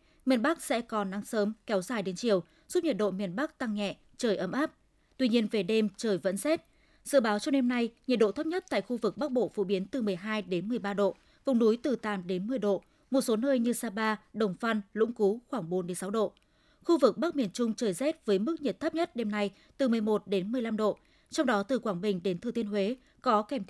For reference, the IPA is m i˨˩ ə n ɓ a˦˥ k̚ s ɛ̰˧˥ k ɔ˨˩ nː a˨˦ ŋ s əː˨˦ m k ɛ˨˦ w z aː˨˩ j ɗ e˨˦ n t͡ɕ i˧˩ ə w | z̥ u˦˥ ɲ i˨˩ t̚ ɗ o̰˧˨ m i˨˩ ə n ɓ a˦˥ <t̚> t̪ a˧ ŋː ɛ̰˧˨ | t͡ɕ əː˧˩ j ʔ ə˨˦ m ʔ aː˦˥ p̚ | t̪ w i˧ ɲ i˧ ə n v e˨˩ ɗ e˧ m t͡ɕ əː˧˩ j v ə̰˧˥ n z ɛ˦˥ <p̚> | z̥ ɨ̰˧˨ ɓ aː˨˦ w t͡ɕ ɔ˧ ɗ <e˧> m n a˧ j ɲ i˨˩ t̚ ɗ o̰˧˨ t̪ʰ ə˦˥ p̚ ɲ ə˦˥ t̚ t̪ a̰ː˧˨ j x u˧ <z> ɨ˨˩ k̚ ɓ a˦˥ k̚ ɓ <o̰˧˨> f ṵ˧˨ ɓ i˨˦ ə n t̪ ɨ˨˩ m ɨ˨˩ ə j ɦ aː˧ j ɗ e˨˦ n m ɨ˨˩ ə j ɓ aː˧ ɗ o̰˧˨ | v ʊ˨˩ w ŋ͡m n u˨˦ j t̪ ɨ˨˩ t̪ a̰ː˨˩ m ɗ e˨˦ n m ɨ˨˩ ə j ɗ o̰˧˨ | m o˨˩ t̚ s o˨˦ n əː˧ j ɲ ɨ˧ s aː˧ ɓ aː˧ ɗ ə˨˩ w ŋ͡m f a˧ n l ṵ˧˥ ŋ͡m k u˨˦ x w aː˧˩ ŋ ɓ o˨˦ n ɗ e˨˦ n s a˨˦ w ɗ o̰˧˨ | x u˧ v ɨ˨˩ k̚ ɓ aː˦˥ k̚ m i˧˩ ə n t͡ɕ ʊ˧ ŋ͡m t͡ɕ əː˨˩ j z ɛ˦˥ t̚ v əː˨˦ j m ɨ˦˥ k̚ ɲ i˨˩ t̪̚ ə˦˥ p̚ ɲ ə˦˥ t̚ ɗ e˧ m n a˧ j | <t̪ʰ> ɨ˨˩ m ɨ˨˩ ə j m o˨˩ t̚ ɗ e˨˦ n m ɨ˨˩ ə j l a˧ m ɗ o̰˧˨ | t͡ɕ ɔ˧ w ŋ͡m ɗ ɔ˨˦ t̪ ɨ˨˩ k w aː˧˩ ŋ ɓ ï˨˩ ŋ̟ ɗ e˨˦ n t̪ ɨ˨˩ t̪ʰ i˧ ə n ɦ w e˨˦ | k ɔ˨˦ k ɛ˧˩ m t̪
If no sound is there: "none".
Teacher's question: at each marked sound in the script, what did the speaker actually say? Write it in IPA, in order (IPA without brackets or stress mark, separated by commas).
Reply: k̚, t̚, e˧, v, o̰˧˨, t̪